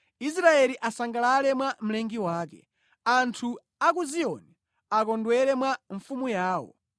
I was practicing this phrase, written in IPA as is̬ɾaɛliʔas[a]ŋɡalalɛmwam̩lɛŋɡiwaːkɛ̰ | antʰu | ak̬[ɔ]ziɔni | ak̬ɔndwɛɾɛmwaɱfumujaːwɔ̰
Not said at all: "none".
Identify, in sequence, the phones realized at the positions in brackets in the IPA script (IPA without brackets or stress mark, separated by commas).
a, u